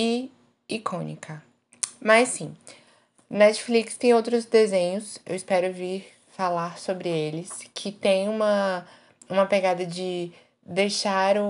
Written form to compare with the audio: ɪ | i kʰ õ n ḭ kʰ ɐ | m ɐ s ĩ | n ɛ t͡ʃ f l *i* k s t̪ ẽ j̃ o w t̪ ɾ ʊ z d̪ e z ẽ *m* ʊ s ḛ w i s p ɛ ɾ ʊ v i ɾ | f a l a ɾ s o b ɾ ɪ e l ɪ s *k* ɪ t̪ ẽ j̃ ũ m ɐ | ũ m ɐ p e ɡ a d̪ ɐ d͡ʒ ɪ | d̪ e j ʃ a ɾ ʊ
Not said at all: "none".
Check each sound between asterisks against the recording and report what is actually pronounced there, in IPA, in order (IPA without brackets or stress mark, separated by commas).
i, ɲ, kʰ